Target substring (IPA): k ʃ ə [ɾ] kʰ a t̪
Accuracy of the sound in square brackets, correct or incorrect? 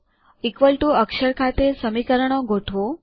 correct